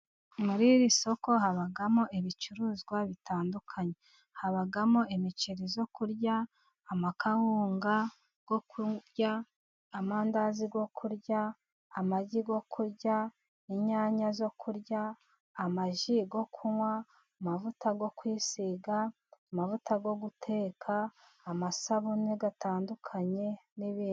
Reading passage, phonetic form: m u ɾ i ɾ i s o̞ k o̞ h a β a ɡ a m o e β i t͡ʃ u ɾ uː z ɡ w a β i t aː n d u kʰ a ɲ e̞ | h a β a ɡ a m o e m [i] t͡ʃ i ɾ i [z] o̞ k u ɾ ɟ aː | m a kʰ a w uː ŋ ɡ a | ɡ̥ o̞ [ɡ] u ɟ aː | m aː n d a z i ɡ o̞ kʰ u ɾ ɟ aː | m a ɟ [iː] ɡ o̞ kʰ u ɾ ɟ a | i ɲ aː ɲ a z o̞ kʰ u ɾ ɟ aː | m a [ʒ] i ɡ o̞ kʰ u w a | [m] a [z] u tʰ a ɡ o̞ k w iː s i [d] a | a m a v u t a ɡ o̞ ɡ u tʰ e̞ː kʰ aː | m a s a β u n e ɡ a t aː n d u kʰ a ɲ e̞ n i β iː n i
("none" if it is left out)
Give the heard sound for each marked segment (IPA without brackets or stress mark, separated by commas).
i, z, k, i, ʒ, m, v, ɡ